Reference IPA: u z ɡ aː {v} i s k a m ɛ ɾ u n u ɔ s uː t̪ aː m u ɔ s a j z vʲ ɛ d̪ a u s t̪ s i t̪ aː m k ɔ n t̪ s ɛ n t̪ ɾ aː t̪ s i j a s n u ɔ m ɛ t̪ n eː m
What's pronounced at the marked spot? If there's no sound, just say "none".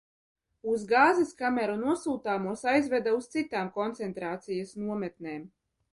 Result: z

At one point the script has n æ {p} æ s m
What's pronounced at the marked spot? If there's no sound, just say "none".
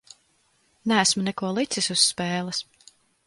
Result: none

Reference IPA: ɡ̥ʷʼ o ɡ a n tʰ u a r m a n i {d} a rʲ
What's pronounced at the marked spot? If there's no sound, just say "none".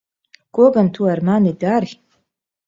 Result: d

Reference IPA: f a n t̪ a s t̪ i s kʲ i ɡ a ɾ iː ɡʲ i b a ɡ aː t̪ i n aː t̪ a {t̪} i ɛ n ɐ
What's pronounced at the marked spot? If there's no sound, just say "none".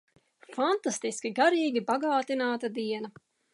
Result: d̪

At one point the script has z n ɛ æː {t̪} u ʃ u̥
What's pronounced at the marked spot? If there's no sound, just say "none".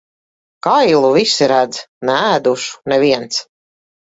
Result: d̪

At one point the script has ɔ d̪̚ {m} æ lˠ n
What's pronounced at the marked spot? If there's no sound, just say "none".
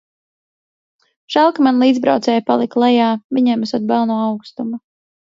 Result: b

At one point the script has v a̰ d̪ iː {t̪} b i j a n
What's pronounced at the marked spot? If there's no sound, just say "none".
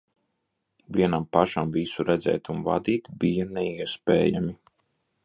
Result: t̪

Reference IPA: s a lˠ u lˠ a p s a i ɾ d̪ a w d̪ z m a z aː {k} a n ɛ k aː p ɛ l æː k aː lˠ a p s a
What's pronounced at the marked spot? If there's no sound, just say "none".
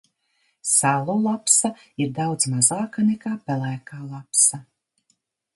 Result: k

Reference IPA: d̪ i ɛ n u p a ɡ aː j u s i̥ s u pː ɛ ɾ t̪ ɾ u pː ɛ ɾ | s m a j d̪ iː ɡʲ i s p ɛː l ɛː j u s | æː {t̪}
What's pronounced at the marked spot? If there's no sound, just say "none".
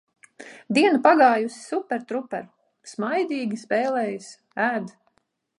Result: d̪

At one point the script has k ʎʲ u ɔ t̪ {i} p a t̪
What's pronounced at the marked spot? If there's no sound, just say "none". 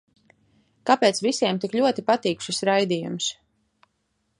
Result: i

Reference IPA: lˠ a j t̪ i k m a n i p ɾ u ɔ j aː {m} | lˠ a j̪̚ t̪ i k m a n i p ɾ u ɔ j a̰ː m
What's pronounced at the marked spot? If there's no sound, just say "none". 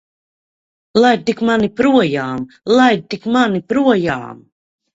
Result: m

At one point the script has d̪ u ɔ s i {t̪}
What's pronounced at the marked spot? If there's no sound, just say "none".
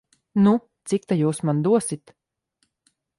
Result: t̪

